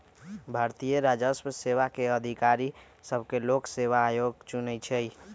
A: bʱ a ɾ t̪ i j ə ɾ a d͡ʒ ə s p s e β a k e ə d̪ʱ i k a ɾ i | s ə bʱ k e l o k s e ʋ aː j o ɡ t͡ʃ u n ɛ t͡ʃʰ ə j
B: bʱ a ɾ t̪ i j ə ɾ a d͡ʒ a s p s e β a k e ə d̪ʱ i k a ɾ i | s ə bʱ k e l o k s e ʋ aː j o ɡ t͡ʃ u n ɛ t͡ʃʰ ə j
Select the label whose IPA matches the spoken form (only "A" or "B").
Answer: A